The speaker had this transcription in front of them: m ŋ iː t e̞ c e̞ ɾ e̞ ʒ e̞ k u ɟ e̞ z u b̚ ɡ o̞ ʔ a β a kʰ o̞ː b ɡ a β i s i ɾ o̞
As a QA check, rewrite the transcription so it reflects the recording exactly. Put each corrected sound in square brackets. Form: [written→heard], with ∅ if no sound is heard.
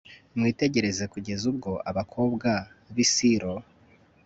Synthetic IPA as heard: m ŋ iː t e̞ [c→ɟ] e̞ ɾ e̞ [ʒ→z] e̞ k u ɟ e̞ z u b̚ ɡ o̞ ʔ a β a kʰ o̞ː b ɡ a β i s i ɾ o̞